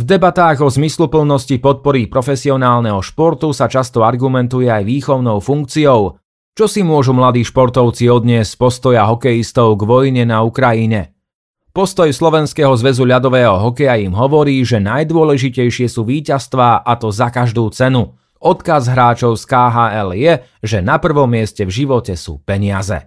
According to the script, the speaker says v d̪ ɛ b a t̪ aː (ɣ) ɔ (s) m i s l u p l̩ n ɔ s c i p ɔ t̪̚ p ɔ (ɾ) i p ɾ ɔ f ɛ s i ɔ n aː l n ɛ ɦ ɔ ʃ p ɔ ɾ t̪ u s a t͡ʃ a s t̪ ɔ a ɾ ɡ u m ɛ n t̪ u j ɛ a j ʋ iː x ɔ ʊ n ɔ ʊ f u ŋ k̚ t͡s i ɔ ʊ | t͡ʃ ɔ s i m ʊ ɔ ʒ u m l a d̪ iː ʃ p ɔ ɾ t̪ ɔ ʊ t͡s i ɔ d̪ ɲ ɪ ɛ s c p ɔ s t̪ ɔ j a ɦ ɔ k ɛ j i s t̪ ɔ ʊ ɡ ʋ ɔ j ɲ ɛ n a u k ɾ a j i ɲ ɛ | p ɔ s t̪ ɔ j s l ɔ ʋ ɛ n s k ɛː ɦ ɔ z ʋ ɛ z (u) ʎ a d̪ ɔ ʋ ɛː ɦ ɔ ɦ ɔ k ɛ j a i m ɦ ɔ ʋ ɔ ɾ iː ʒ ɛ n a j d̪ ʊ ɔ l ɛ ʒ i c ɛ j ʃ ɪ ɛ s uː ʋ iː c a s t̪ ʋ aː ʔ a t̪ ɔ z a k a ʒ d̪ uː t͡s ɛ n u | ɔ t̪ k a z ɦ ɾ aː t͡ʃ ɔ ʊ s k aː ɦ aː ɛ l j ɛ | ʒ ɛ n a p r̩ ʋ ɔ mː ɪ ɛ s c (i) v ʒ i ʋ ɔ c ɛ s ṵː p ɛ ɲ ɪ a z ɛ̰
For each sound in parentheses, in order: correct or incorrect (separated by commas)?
correct, incorrect, correct, correct, incorrect